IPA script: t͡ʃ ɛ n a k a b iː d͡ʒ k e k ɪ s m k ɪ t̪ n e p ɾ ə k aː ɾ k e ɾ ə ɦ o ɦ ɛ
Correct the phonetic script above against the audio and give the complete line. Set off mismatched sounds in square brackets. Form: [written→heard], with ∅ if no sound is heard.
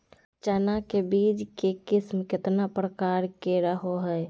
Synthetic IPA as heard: t͡ʃ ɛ n a k [a→e] b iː d͡ʒ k e k ɪ s m k ɪ t̪ n [e→a] p ɾ ə k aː ɾ k e ɾ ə ɦ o ɦ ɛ